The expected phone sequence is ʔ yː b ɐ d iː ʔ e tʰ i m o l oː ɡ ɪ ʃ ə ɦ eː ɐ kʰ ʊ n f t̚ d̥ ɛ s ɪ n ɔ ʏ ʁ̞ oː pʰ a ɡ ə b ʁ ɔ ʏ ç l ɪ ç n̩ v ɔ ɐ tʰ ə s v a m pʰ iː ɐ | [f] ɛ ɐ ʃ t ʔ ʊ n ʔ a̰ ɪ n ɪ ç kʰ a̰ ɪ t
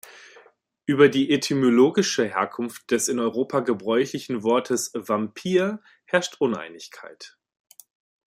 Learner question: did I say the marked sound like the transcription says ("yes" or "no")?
no